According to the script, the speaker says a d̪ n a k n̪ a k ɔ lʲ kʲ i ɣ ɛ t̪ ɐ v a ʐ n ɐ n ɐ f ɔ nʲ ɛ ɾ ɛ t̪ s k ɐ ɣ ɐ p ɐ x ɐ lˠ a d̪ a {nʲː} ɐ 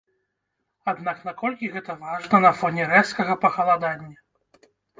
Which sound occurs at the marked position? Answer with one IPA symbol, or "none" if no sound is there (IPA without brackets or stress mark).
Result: nʲː